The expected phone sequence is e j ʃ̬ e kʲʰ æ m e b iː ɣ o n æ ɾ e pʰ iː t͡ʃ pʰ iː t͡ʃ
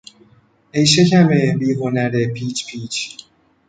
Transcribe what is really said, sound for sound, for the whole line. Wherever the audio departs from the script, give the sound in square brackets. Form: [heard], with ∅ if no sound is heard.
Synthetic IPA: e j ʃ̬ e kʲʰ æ m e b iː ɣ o n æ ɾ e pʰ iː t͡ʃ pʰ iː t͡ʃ